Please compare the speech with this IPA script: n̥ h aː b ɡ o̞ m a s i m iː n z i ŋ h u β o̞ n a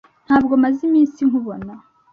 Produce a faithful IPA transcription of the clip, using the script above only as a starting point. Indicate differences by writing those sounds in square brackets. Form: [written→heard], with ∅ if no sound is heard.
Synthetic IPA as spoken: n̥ h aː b ɡ o̞ m a [s→z] i m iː n [z→s] i ŋ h u β o̞ n a